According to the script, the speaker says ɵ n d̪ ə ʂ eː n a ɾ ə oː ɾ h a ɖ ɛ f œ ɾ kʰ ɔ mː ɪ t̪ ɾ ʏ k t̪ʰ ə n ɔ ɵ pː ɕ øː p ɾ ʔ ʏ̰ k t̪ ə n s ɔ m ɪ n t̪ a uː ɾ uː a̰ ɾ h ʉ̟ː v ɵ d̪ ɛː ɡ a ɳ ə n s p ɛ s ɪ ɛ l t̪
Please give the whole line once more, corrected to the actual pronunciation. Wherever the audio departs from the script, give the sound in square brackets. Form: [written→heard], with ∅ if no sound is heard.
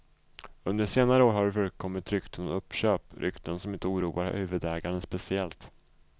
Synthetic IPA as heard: ɵ n d̪ ə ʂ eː n a ɾ ə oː ɾ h a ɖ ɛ f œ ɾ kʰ ɔ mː ɪ t̪ ɾ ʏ k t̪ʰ ə n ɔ ɵ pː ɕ øː p ɾ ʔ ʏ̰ k t̪ ə n s ɔ m ɪ n t̪ [a→ə] uː ɾ uː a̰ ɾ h ʉ̟ː v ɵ d̪ ɛː ɡ a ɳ ə n s p ɛ s ɪ ɛ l t̪